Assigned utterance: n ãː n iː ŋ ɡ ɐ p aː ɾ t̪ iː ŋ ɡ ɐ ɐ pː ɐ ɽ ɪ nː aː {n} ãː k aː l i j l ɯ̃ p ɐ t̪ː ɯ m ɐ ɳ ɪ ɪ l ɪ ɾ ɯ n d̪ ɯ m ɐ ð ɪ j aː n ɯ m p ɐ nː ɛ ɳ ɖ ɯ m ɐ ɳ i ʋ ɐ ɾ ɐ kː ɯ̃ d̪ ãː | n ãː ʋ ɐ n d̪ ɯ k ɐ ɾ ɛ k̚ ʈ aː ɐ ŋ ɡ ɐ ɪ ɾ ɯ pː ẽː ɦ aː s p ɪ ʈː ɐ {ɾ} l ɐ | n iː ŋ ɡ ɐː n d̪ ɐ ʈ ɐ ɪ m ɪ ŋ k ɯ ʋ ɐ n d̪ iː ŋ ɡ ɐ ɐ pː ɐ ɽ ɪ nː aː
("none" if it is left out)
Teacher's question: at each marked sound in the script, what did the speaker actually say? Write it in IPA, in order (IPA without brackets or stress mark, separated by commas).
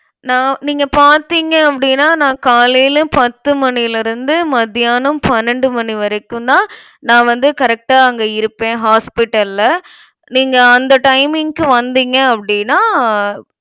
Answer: n, l